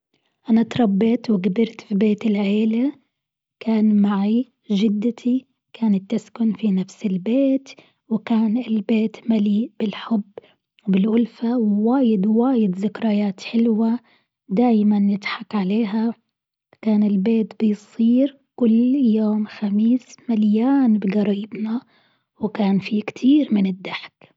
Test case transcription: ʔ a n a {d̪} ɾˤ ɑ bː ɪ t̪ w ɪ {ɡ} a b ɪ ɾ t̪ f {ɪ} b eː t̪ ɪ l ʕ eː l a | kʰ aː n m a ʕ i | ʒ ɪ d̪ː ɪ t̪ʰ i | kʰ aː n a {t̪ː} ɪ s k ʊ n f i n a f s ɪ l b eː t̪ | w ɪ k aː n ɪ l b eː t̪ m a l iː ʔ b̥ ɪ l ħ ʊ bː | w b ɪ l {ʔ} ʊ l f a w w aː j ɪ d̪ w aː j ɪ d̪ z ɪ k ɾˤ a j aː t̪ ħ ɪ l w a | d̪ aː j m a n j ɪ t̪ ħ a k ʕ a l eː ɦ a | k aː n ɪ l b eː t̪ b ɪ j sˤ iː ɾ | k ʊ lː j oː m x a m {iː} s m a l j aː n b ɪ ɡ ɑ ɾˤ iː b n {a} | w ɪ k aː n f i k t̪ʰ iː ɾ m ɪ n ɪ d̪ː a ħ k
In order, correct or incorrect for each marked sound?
incorrect: t̪, correct, incorrect: i, correct, correct, correct, correct

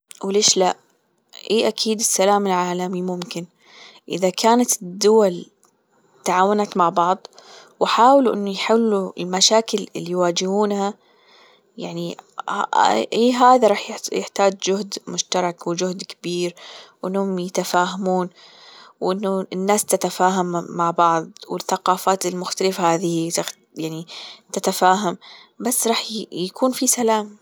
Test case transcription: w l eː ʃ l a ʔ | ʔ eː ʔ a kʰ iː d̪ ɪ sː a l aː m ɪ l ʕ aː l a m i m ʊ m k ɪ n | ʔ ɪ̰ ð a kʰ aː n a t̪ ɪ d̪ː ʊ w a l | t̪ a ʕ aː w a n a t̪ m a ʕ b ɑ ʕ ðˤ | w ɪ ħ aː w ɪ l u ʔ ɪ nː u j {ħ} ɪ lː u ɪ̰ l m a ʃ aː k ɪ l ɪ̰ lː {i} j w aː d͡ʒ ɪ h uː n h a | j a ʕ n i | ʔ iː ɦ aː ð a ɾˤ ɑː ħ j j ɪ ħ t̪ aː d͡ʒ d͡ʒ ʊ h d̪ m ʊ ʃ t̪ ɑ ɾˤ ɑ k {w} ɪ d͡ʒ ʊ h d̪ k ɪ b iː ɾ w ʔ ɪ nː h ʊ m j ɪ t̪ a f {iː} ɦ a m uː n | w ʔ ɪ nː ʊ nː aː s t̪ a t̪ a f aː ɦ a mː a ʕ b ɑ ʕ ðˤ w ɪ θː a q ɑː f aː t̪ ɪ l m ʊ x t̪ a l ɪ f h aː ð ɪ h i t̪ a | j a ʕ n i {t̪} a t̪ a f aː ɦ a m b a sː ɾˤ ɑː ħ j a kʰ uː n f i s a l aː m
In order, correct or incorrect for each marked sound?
correct, correct, correct, incorrect: aː, correct

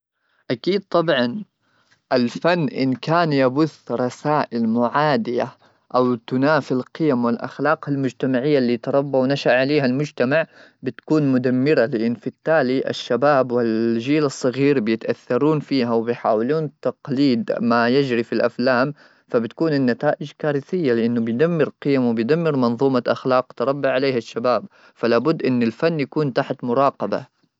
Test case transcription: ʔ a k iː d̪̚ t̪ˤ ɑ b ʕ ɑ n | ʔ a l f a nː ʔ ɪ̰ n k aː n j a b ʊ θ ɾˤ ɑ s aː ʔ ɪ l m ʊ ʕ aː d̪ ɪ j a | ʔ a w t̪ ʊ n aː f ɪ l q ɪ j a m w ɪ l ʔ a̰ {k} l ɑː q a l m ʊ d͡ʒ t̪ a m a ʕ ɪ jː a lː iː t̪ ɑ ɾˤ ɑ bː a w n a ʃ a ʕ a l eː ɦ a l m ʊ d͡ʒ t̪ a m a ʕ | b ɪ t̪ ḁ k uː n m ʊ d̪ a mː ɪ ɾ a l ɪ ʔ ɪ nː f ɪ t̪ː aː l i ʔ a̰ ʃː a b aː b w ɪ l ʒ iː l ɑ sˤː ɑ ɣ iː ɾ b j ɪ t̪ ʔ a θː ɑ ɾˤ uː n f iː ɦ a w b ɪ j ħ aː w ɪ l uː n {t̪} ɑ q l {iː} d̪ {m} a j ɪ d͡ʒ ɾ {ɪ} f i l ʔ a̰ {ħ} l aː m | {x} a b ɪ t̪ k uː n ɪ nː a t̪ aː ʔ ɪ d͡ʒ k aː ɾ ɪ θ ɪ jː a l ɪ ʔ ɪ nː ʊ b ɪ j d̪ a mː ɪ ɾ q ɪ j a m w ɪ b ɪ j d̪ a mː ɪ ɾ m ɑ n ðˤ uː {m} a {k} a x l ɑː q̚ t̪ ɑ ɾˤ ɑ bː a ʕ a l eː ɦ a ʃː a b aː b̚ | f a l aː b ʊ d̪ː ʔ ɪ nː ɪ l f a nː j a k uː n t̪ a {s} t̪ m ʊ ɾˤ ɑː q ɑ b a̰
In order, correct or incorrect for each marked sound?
incorrect: x, correct, correct, correct, incorrect: i, incorrect: f, incorrect: f, correct, incorrect: ʔ, incorrect: ħ

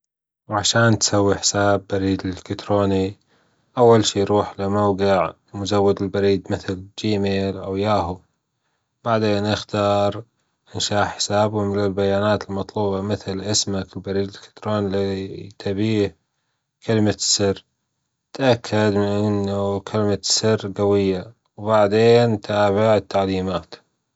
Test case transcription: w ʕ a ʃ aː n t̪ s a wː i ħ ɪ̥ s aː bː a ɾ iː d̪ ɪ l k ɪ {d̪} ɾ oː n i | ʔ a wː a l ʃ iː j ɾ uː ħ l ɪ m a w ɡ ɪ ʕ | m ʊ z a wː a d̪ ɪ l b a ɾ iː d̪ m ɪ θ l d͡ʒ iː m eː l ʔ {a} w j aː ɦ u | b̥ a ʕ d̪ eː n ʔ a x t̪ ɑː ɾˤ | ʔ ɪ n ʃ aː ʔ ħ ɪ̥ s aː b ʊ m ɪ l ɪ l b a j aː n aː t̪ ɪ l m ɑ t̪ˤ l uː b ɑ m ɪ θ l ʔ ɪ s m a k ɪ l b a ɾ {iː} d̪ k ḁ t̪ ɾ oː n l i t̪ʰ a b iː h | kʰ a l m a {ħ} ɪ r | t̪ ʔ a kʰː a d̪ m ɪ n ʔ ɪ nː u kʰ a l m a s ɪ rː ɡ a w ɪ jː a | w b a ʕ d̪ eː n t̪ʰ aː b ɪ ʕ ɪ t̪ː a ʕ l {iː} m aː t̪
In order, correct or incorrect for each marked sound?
incorrect: t̪, correct, correct, incorrect: s, correct

